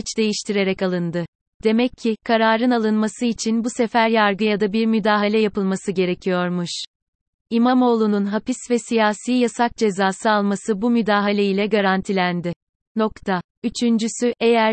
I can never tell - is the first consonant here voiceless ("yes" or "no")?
yes